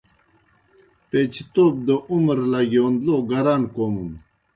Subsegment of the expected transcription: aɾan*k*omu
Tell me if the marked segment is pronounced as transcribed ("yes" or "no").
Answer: yes